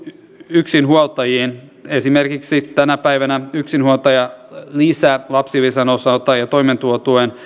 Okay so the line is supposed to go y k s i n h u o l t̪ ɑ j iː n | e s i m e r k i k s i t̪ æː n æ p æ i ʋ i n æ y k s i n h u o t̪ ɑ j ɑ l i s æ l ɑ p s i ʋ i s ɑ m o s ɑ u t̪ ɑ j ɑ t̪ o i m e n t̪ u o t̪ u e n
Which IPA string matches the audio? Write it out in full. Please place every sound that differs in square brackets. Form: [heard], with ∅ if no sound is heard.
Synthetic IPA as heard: y k s i n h u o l t̪ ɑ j iː n | e s i m e r k i k s i t̪ [æ] n æ p æ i ʋ [æ] n æ y k s i n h u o t̪ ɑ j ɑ l i s æ l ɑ p s i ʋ i s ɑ [n] o s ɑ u t̪ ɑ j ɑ t̪ o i m e n t̪ u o t̪ u e n